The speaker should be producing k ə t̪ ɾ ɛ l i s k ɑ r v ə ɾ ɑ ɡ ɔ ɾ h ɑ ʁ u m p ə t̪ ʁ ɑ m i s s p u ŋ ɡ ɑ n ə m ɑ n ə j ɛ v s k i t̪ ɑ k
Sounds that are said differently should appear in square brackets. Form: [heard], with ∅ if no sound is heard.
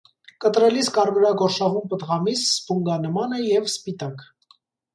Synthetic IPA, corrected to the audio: k ə t̪ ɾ ɛ l i s k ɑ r v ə ɾ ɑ ɡ ɔ ɾ [ʃ] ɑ ʁ u m p ə t̪ ʁ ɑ m i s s p u ŋ ɡ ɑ n ə m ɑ n ə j ɛ v s [p] i t̪ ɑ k